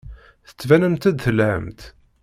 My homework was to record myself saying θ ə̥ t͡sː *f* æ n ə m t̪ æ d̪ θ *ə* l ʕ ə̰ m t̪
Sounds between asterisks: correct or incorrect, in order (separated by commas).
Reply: incorrect, correct